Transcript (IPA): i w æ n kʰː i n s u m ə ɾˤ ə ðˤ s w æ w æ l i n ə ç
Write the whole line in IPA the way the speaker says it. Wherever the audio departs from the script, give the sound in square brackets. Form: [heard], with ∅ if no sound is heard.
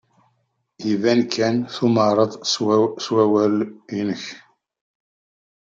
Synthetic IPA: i [v] æ n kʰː [æ] n [θ] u m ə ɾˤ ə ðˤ s w æ w æ l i n ə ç